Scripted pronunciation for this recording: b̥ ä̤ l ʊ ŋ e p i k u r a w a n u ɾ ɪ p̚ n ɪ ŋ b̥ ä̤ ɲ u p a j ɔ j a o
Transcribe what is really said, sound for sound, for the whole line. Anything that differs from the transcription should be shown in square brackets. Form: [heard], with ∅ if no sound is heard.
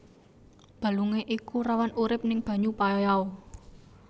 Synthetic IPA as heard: b̥ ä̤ l [u] ŋ e [ʔ] i k u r a w a n u ɾ ɪ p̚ n ɪ ŋ b̥ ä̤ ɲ u p a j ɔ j a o